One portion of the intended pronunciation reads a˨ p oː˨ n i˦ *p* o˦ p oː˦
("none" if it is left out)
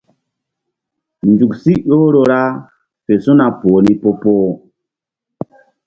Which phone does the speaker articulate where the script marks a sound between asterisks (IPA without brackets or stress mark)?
p